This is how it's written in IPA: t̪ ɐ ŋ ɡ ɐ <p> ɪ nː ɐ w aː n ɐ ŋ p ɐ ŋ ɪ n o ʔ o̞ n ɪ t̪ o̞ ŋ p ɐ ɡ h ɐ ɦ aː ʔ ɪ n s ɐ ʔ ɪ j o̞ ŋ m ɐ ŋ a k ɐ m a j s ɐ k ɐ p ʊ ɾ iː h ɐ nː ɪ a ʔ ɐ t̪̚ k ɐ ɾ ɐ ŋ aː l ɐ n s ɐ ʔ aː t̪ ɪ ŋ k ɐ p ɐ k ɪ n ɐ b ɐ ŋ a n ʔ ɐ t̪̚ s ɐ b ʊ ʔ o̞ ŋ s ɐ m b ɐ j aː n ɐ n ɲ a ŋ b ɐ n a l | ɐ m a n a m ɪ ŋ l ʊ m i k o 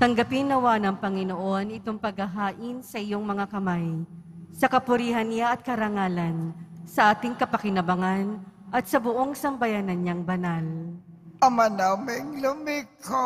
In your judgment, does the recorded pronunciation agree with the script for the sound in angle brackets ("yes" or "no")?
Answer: yes